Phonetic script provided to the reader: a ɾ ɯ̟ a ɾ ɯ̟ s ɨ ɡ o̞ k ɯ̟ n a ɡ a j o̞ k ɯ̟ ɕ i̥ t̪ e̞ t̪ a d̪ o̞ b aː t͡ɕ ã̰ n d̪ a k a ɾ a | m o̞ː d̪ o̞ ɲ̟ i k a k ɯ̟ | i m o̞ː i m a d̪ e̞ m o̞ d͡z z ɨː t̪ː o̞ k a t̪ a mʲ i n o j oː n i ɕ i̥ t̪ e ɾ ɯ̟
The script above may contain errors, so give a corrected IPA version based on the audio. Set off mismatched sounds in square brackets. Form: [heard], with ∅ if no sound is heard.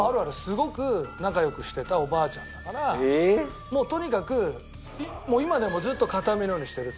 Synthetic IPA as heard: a ɾ ɯ̟ a ɾ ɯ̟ s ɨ ɡ o̞ k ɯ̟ n a [k] a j o̞ k ɯ̟ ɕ i̥ t̪ e̞ t̪ a [∅] o̞ b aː t͡ɕ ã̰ n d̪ a k a ɾ a | m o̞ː [t̪] o̞ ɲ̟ i k a k ɯ̟ | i m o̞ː i m a d̪ e̞ m o̞ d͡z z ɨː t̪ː o̞ k a t̪ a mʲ i n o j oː [ɲ] i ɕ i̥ t̪ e ɾ ɯ̟